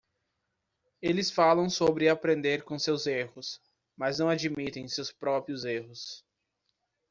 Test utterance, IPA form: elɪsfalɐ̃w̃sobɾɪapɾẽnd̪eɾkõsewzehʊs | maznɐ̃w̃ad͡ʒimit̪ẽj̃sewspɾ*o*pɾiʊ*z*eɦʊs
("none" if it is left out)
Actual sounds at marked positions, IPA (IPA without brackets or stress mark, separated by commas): ɔ, z